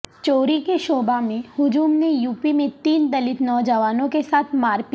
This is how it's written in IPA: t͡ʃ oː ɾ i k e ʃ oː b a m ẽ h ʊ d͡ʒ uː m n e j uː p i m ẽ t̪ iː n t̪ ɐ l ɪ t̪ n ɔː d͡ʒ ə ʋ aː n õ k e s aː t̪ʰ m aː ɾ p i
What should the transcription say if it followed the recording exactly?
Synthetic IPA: t͡ʃ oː ɾ i k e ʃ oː b a m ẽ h ʊ d͡ʒ uː m n e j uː p i m ẽ t̪ iː n d̪ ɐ l ɪ t̪ n ɔː d͡ʒ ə ʋ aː n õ k e s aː t̪ʰ m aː ɾ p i